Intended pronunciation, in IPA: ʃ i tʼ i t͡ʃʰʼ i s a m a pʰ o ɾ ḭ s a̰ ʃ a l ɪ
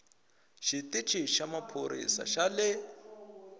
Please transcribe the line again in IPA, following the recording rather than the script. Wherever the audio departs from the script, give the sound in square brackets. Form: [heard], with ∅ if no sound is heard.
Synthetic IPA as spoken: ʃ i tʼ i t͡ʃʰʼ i [ʃ] a m a pʰ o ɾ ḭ s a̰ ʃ a l ɪ